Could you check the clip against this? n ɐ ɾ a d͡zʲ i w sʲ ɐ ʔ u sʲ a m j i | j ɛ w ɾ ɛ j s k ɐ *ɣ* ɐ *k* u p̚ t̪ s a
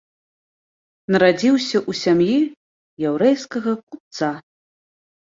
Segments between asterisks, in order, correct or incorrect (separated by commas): correct, correct